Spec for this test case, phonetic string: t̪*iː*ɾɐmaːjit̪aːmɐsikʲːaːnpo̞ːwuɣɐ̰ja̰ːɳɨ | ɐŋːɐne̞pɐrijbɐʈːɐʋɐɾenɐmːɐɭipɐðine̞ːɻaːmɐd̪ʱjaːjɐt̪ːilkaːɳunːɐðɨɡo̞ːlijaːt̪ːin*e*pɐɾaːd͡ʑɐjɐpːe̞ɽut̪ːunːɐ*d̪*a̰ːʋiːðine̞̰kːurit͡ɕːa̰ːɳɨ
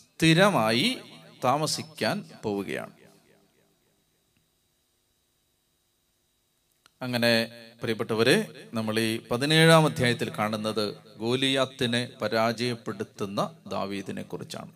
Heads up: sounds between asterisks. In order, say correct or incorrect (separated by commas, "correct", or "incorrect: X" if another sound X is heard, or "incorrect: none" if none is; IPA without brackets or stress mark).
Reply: incorrect: i, correct, correct